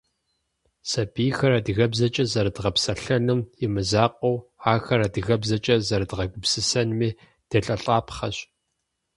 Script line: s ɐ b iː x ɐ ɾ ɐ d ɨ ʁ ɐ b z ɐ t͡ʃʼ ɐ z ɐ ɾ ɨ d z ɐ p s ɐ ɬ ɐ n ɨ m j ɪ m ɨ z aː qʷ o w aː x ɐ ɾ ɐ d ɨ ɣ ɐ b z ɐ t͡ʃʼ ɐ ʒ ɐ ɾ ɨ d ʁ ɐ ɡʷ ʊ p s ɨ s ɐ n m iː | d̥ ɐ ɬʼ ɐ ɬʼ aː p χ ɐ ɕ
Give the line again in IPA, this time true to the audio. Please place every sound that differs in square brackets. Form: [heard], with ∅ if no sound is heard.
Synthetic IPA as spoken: s ɐ b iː x ɐ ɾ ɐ d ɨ [ɣ] ɐ b z ɐ t͡ʃʼ ɐ z ɐ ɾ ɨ d [ʁ] ɐ p s ɐ ɬ ɐ n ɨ m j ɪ m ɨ z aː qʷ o w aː x ɐ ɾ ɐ d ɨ ɣ ɐ b z ɐ t͡ʃʼ ɐ [z] ɐ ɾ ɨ d ʁ ɐ ɡʷ ʊ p s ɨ s ɐ n m iː | d̥ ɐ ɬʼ ɐ ɬʼ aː p χ ɐ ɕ

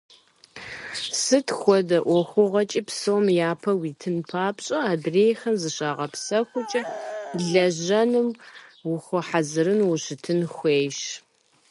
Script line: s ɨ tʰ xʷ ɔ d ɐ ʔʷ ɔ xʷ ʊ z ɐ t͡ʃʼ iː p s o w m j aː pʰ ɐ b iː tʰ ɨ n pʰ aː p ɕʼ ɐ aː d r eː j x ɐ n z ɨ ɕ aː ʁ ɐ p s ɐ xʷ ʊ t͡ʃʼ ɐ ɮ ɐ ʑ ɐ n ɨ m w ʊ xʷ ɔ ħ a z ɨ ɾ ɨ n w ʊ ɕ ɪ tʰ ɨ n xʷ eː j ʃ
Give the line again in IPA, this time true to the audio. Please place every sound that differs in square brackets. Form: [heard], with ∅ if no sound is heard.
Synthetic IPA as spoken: s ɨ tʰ xʷ ɔ d ɐ ʔʷ ɔ xʷ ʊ [ʁ] ɐ t͡ʃʼ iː p s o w m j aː pʰ ɐ [w] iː tʰ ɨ n pʰ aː p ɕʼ ɐ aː d r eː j x ɐ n z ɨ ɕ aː ʁ ɐ p s ɐ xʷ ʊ t͡ʃʼ ɐ ɮ ɐ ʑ ɐ n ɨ m w ʊ xʷ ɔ ħ a z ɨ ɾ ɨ n w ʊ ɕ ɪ tʰ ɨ n xʷ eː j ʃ

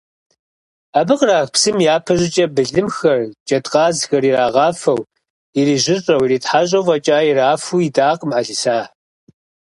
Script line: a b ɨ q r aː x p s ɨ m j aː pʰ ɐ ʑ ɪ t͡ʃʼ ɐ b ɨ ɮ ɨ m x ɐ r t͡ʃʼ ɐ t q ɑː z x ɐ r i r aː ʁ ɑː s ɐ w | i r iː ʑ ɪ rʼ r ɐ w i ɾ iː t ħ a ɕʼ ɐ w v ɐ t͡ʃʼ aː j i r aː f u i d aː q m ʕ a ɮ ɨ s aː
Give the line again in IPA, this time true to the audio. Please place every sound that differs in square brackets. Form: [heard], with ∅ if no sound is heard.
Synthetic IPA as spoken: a b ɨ q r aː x p s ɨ m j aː pʰ ɐ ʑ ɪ t͡ʃʼ ɐ b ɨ ɮ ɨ m x ɐ r t͡ʃʼ ɐ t q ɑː z x ɐ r i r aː ʁ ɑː [f] ɐ w | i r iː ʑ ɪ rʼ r ɐ w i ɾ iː t ħ a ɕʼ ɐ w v ɐ t͡ʃʼ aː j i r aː f u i d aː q m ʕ a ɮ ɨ s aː

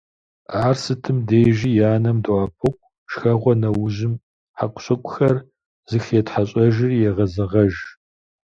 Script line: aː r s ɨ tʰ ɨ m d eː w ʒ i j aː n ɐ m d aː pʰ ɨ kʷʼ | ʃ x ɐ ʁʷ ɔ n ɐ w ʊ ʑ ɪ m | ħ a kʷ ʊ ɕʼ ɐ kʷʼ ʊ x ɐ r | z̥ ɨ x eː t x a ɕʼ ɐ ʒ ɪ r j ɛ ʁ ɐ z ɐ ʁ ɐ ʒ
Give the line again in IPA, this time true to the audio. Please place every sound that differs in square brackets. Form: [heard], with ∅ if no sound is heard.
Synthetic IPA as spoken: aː r s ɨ tʰ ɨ m d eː [∅] ʒ i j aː n ɐ m d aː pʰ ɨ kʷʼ | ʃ x ɐ ʁʷ ɔ n ɐ w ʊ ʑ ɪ m | ħ a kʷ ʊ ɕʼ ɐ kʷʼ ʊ x ɐ r | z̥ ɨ x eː t [ħ] a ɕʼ ɐ ʒ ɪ r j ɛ ʁ ɐ z ɐ ʁ ɐ ʒ

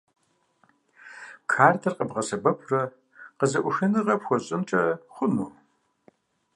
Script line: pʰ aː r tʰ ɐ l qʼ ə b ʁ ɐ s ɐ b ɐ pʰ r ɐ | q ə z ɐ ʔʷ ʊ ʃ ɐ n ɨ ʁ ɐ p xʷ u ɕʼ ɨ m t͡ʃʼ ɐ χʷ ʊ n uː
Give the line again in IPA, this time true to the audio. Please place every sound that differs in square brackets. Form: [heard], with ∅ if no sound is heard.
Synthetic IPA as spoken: [kʰ] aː r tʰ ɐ [r] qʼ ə b ʁ ɐ s ɐ b ɐ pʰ r ɐ | q ə z ɐ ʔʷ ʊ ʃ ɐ n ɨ ʁ ɐ p xʷ [ɔ] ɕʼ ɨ m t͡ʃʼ ɐ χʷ ʊ n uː

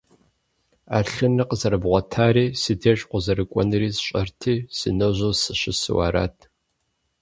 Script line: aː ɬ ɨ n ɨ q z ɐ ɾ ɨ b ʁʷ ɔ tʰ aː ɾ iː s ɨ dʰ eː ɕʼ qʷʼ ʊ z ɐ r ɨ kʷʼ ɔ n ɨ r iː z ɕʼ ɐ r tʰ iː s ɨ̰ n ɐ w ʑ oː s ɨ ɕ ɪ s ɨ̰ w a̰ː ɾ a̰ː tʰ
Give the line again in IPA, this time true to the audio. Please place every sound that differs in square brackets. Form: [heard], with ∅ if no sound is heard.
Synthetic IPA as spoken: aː ɬ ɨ n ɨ q z ɐ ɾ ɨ b ʁʷ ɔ tʰ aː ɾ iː s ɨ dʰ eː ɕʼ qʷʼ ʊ z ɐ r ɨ kʷʼ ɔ n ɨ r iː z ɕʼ ɐ r tʰ iː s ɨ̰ n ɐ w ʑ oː s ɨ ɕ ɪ s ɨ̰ w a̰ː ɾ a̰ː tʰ

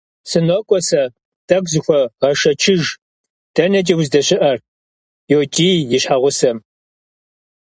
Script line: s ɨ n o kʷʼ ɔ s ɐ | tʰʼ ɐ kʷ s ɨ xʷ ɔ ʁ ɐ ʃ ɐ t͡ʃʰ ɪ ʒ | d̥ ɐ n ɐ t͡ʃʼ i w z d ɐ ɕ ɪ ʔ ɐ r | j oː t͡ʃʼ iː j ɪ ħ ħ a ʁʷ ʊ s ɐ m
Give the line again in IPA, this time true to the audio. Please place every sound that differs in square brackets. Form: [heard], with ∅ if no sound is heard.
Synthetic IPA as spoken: s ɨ n o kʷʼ ɔ s ɐ | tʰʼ ɐ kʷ [z] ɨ xʷ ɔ ʁ ɐ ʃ ɐ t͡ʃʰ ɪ ʒ | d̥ ɐ n ɐ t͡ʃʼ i w z d ɐ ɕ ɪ ʔ ɐ r | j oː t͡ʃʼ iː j ɪ [ɕ] ħ a ʁʷ ʊ s ɐ m

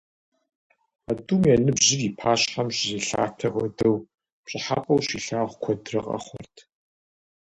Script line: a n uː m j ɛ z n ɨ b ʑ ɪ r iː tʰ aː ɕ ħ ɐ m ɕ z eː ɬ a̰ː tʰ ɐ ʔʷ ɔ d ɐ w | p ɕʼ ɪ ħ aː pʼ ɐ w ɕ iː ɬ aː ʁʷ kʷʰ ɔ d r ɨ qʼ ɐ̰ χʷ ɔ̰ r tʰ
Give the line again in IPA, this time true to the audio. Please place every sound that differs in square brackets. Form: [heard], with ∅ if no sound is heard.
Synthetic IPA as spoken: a [d] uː m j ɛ [∅] n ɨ b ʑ ɪ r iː [pʰ] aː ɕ ħ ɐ m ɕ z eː ɬ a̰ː tʰ ɐ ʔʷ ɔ d ɐ w | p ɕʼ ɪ ħ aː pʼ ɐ w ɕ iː ɬ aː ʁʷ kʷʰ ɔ d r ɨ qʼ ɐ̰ χʷ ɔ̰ r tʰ

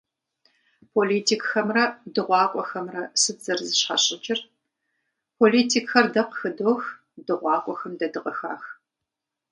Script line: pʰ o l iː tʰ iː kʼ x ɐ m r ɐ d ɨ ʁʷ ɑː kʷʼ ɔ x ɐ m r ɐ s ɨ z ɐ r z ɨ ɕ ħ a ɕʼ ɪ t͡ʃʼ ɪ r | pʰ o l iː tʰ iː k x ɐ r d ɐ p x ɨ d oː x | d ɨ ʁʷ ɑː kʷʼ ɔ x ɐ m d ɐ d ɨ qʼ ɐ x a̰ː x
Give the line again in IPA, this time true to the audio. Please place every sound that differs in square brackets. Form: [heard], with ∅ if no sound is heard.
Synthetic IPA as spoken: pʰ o l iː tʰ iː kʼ x ɐ m r ɐ d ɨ ʁʷ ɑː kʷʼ ɔ x ɐ m r ɐ s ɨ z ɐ r z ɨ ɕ ħ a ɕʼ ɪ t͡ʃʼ ɪ r | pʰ o l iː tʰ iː k x ɐ r d ɐ [q] x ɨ d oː x | d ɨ ʁʷ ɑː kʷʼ ɔ x ɐ m d ɐ d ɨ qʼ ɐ x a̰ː x

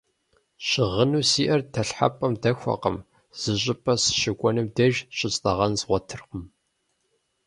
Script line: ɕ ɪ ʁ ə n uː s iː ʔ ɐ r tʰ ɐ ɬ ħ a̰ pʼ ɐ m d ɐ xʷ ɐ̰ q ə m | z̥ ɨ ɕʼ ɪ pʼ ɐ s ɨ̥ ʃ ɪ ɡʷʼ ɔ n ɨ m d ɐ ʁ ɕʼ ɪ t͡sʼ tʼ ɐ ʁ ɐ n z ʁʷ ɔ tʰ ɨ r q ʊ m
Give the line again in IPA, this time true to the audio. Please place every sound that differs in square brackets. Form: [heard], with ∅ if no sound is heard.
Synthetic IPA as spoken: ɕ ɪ ʁ ə n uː s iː ʔ ɐ r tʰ ɐ ɬ ħ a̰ pʼ ɐ m d ɐ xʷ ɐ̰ q ə m | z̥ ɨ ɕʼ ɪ pʼ ɐ s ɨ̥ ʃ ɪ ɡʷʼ ɔ n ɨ m d ɐ [ʒ] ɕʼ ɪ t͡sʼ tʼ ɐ ʁ ɐ n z ʁʷ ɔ tʰ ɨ r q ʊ m

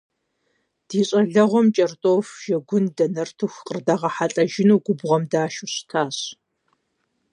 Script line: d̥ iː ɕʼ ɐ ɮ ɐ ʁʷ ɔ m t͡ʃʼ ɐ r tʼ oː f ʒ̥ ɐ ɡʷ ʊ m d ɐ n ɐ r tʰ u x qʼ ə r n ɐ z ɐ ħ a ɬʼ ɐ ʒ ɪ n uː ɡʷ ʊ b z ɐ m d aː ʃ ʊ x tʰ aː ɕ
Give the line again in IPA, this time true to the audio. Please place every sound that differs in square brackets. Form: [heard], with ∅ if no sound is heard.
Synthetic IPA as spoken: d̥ iː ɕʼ ɐ ɮ ɐ ʁʷ ɔ m t͡ʃʼ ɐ r tʼ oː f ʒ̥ ɐ ɡʷ ʊ [n] d ɐ n ɐ r tʰ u x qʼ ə r [d] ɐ [ʁ] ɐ ħ a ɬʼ ɐ ʒ ɪ n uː ɡʷ ʊ b [ʁ] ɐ m d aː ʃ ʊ [ɕ] tʰ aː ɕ

